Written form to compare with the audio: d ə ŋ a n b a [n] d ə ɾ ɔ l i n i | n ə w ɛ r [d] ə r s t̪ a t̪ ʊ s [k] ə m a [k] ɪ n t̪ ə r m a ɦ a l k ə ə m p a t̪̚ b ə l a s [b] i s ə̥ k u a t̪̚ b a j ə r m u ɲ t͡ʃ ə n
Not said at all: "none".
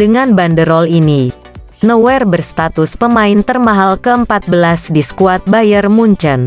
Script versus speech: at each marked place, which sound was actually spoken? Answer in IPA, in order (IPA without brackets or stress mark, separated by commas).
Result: n, b, p, none, d